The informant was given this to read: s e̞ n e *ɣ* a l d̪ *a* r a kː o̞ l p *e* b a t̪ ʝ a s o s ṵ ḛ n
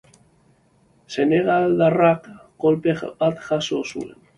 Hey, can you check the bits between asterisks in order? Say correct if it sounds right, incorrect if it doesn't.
correct, correct, correct

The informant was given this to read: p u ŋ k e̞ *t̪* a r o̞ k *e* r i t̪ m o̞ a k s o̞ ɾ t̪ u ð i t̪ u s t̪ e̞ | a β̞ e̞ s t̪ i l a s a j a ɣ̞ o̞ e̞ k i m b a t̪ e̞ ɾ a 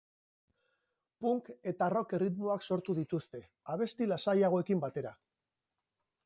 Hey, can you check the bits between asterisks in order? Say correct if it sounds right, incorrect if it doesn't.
correct, correct

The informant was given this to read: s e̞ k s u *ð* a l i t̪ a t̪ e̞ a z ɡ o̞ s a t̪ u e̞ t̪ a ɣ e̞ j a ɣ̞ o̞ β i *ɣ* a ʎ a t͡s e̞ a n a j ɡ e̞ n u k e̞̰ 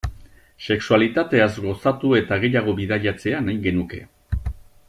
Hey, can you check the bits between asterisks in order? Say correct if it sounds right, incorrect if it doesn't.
incorrect, incorrect

